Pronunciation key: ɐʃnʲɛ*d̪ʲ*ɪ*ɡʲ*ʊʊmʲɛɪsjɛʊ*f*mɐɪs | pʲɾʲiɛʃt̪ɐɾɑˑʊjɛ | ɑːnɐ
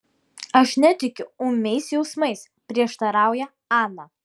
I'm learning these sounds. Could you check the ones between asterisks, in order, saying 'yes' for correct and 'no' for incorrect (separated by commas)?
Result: no, no, no